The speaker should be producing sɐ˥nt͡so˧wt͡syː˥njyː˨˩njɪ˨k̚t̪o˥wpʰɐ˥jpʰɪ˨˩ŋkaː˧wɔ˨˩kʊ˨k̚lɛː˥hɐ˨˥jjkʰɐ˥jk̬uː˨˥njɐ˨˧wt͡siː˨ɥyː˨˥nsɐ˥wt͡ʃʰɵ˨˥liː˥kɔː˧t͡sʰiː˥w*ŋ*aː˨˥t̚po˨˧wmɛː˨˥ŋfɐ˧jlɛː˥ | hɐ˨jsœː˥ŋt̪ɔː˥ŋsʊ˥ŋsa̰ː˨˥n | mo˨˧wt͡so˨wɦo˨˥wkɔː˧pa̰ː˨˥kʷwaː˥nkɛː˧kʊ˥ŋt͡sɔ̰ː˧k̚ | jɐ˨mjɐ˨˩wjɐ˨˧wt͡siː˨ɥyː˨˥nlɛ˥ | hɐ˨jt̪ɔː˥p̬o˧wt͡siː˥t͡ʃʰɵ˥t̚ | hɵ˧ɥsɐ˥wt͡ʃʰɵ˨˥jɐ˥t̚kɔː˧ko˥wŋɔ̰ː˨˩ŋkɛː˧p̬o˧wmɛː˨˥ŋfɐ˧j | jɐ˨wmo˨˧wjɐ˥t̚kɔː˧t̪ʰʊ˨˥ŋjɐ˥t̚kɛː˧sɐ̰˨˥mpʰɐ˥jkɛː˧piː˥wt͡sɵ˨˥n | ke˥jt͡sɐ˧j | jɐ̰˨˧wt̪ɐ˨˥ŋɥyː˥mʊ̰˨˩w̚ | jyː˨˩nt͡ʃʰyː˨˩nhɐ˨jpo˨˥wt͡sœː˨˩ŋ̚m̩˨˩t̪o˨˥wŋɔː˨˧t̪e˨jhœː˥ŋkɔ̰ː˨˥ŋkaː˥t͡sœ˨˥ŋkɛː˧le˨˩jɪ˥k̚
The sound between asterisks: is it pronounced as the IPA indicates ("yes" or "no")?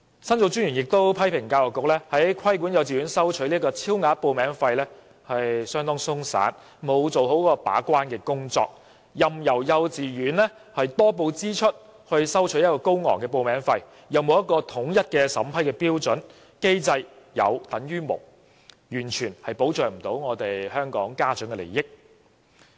yes